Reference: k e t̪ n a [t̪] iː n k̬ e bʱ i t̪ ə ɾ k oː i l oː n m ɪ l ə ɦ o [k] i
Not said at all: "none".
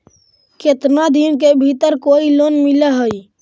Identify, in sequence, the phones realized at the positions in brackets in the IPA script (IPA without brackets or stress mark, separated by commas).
d̪, none